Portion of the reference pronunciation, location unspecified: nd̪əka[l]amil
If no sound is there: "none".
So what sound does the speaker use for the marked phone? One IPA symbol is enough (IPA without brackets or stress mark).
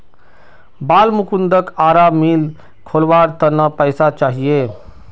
ɾ